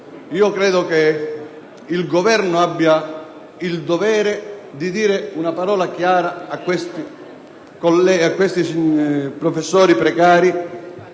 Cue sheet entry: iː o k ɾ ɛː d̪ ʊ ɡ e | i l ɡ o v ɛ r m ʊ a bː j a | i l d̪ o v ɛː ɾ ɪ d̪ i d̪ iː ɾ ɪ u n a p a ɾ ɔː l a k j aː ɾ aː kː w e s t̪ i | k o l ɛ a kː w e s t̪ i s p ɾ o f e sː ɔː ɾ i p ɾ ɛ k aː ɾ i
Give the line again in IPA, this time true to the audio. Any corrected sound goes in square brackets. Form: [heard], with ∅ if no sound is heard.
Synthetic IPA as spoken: iː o k ɾ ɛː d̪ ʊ [k] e | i l ɡ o v ɛ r [n] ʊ a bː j a | i l d̪ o v ɛː ɾ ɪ d̪ i d̪ iː ɾ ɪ u n a p a ɾ ɔː l a k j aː ɾ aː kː w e s t̪ i | k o l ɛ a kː w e s t̪ i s p ɾ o f e sː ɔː ɾ i p ɾ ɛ k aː ɾ i